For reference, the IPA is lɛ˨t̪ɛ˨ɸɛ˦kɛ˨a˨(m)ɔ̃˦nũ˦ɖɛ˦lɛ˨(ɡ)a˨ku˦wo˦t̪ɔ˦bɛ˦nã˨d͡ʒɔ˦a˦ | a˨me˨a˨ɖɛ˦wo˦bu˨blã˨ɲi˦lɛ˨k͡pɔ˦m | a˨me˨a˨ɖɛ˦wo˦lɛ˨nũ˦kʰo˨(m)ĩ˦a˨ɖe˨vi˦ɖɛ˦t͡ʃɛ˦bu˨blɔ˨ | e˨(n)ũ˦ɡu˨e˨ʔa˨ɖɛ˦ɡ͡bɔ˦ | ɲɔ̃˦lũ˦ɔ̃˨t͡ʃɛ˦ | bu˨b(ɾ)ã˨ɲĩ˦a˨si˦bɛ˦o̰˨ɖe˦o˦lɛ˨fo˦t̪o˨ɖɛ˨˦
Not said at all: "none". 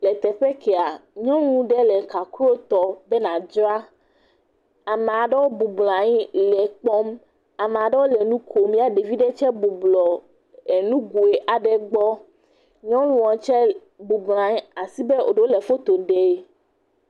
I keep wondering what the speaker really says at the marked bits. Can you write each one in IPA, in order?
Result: ɲ, k, m, n, l

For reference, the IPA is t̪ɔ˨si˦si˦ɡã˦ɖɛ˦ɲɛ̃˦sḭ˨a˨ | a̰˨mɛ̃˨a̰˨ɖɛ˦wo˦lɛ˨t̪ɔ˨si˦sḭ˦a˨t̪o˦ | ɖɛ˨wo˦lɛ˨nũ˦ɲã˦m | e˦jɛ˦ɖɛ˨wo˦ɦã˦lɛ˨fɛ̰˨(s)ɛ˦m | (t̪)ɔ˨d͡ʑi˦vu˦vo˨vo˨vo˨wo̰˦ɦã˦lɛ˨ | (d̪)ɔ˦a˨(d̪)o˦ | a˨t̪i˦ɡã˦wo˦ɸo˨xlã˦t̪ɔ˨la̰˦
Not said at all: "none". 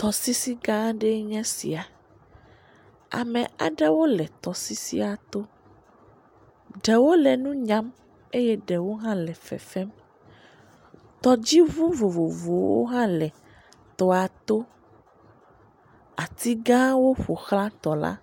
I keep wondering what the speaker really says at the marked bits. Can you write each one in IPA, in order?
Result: f, t̪, t̪, t̪

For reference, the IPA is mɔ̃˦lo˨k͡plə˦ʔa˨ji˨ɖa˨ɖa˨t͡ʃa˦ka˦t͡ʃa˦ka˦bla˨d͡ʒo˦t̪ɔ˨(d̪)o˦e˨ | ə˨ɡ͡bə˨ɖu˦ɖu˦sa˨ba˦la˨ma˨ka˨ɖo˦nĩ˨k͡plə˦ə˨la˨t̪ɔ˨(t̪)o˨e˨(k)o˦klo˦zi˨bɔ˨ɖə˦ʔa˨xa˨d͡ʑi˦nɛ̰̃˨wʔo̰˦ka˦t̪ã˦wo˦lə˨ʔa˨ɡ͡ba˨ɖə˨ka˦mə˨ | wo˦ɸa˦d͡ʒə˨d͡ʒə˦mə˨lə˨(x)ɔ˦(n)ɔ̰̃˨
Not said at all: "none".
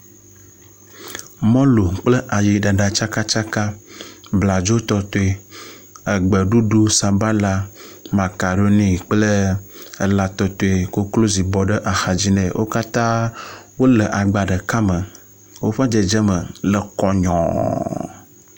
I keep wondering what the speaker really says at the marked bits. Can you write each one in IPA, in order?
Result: t̪, t̪, k, k, ɲ

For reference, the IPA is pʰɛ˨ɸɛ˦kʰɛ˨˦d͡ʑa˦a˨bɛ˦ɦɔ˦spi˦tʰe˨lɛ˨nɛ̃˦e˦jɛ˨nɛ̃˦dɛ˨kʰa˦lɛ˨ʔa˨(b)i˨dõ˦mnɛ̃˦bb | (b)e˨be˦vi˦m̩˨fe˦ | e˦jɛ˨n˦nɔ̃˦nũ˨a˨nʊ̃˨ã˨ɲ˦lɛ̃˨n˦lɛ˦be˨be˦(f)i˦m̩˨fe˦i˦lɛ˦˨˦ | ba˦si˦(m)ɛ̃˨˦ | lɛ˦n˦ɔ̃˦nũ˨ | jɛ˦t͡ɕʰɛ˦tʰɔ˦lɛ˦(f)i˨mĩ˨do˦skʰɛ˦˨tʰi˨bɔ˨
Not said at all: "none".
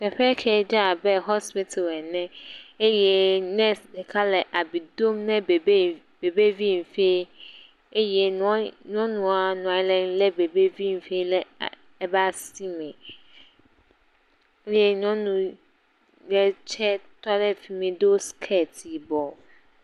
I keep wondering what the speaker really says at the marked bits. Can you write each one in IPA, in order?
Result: b, b, v, m, f

